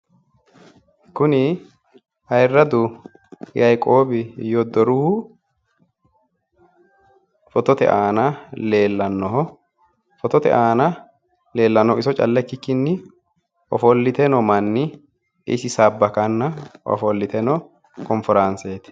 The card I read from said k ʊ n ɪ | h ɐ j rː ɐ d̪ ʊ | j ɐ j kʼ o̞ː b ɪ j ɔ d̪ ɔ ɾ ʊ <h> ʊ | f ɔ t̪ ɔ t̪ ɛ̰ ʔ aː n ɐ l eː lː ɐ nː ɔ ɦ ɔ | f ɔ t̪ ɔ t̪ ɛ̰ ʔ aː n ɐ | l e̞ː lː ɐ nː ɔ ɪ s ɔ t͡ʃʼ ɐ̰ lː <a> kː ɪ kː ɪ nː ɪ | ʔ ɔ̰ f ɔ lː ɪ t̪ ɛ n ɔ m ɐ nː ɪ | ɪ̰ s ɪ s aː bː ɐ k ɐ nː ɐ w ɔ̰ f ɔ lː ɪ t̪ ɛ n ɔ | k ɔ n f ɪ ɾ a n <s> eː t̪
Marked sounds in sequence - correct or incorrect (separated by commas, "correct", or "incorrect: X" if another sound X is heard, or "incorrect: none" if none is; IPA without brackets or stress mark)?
correct, incorrect: ɛ, correct